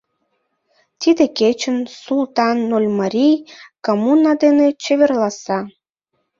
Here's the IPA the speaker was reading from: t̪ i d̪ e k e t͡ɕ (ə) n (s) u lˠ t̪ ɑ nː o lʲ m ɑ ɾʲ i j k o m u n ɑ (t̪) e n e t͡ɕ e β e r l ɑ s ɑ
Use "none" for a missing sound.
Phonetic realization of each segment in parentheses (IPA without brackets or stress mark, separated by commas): ə, s, d̪